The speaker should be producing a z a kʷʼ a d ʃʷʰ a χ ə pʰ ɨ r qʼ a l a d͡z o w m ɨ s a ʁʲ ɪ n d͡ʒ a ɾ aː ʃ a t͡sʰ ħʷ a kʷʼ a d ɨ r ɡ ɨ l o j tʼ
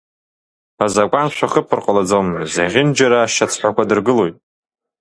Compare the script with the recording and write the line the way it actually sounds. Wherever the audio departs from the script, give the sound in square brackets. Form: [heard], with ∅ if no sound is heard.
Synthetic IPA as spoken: a z a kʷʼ a [n] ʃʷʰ a χ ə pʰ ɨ r qʼ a l a d͡z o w m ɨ [z] a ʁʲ ɪ n d͡ʒ a ɾ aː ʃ a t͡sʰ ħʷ a [kʷ] a d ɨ r ɡ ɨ l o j tʼ